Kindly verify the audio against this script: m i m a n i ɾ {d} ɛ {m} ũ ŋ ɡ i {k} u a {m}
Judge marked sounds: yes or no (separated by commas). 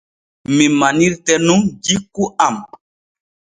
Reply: no, no, yes, yes